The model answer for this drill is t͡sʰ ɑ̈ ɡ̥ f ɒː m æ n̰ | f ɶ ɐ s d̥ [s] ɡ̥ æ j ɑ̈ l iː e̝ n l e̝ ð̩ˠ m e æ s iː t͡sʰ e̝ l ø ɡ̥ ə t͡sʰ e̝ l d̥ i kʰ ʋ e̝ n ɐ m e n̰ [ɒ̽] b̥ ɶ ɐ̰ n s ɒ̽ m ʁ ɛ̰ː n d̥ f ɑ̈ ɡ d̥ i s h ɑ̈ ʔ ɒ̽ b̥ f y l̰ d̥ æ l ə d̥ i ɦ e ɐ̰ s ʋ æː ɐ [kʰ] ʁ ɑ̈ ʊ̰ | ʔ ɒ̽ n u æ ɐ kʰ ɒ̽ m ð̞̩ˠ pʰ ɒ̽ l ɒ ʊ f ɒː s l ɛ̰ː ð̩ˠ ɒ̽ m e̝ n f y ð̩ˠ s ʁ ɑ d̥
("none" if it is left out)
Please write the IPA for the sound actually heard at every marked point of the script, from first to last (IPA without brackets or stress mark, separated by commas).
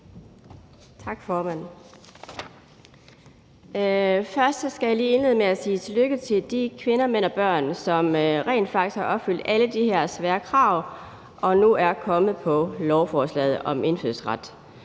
s, ɒ̽, kʰ